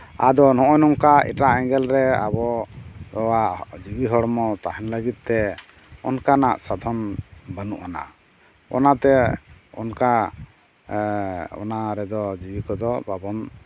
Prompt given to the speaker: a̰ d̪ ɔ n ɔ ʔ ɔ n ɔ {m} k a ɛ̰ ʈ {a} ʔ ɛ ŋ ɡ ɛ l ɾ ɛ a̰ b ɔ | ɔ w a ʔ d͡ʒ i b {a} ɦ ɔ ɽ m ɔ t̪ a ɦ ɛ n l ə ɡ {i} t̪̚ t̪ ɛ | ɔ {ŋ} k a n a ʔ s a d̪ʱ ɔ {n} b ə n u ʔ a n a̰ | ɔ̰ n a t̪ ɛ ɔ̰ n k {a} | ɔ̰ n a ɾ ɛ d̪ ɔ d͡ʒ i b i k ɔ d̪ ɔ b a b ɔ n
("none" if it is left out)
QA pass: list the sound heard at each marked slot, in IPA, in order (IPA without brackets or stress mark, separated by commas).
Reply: ŋ, a, i, i, n, n, a